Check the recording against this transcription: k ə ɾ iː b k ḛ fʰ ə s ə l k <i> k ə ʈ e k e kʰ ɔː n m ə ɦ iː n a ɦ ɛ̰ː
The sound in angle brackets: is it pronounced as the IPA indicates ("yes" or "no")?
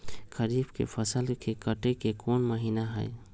no